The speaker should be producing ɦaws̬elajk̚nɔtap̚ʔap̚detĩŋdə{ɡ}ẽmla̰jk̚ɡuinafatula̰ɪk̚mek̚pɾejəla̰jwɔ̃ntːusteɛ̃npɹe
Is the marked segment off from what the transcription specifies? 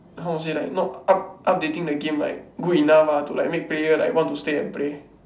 no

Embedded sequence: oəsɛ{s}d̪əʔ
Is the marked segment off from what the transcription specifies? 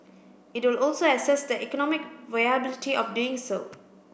no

